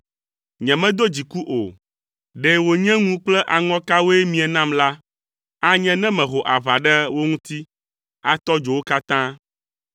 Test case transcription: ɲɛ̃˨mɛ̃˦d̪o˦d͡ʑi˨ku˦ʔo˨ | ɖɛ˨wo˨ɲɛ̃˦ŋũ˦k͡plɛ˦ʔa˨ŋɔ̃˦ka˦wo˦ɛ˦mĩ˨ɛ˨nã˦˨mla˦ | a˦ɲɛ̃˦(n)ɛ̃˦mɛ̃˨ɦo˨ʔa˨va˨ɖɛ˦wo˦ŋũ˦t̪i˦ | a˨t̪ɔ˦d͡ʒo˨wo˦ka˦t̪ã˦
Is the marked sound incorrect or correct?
correct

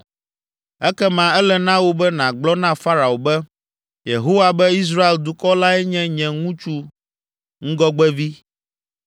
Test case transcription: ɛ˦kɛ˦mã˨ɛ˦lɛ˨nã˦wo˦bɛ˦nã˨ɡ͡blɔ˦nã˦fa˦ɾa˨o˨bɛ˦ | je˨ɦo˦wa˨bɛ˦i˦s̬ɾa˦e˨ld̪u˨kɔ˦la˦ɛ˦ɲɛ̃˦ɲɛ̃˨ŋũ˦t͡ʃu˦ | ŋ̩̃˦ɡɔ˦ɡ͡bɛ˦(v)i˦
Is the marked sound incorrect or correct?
correct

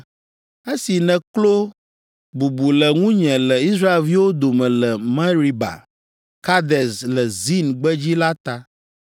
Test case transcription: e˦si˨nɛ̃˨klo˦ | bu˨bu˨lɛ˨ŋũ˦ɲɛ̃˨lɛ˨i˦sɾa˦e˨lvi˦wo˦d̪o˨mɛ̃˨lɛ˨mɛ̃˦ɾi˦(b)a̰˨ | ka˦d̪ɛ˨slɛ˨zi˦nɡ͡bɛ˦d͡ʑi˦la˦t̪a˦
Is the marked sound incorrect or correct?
correct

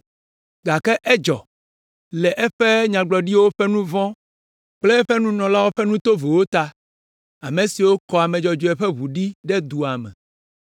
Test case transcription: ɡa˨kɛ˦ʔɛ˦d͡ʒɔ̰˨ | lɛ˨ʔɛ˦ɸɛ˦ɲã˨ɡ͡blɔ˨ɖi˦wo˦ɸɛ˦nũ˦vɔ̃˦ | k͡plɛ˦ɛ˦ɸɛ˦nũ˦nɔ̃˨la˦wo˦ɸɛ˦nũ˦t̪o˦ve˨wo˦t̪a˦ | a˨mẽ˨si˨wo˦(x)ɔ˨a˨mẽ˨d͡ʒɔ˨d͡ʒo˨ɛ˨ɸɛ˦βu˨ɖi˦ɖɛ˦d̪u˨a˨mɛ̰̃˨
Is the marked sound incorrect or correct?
incorrect: k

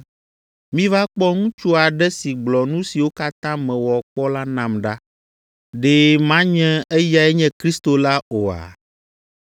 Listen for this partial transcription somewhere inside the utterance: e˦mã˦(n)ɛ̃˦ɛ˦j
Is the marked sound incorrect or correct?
incorrect: ɲ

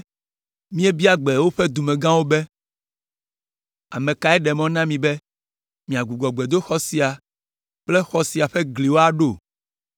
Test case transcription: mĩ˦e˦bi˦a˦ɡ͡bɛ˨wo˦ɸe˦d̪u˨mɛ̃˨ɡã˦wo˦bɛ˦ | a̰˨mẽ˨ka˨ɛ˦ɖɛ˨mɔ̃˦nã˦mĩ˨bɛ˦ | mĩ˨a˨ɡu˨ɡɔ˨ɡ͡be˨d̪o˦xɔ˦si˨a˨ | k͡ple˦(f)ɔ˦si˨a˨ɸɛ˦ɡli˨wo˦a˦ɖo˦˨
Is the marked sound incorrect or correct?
incorrect: x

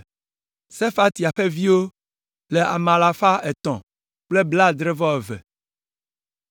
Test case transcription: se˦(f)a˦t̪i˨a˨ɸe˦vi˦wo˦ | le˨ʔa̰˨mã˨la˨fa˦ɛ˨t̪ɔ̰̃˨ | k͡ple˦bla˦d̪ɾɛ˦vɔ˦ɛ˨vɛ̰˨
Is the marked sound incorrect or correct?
correct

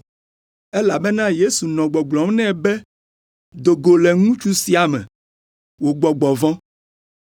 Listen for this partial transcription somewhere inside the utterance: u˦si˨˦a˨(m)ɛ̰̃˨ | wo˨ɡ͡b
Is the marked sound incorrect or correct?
correct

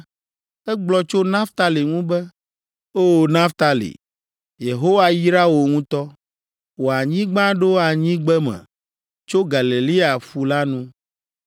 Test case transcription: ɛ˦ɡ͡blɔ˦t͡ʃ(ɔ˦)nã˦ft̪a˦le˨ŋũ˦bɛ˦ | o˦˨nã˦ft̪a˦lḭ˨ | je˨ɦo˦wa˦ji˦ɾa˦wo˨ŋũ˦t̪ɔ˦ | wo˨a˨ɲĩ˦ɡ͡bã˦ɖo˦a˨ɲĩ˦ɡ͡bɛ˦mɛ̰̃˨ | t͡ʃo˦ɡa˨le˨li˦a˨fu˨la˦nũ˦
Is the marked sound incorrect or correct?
incorrect: o˦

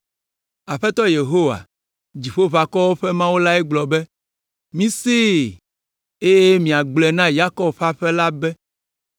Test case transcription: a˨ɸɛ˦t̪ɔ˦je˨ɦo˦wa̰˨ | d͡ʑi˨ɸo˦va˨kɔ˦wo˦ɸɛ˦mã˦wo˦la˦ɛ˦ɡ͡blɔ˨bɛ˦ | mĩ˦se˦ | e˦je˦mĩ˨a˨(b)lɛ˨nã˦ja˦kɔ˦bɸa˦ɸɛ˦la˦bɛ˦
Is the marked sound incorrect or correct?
incorrect: ɡ͡b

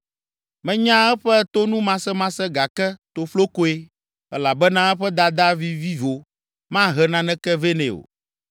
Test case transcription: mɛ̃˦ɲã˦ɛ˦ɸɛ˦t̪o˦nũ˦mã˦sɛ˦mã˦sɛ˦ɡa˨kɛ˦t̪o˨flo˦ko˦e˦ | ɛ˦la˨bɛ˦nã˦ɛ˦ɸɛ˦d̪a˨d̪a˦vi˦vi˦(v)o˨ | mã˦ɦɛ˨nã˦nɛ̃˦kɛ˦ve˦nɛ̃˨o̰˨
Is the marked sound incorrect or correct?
correct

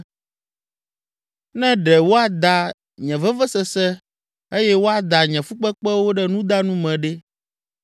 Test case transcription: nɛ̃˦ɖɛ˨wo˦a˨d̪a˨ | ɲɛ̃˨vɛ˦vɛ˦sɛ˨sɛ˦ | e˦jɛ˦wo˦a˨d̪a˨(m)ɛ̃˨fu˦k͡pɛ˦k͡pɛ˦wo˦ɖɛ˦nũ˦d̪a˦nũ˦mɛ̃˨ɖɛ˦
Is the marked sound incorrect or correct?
incorrect: ɲ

